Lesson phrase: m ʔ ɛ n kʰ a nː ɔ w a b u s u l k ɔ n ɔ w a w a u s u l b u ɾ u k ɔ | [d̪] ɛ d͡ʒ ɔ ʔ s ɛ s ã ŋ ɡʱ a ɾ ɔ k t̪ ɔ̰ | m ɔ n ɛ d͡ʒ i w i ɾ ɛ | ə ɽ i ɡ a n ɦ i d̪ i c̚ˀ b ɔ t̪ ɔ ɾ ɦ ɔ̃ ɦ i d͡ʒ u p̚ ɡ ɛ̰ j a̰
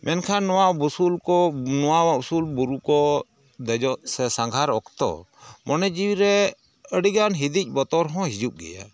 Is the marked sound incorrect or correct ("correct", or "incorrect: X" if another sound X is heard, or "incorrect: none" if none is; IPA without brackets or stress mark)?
correct